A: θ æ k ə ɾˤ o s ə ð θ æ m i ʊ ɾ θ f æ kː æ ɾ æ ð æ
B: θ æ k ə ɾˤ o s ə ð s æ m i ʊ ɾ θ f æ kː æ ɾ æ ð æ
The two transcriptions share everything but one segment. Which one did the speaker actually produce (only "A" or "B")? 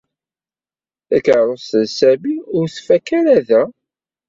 B